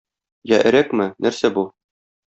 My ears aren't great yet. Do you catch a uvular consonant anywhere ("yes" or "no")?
no